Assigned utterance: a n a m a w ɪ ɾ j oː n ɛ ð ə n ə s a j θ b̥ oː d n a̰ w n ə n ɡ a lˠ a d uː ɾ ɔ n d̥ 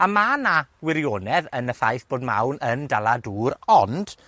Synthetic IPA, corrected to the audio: a m a n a w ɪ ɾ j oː n ɛ ð ə n ə θ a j θ b̥ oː d m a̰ w n ə n d a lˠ a d uː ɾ ɔ n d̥